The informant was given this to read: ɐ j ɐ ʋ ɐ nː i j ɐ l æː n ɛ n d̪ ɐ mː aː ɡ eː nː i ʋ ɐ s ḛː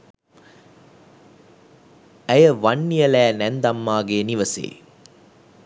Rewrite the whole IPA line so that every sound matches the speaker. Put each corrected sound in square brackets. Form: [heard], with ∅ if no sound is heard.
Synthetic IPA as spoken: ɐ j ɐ ʋ ɐ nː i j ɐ l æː n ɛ n d̪ ɐ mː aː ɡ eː [n] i ʋ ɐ s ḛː